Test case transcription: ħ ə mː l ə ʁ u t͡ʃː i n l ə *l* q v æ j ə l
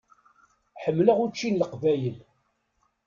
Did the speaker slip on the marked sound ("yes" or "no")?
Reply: yes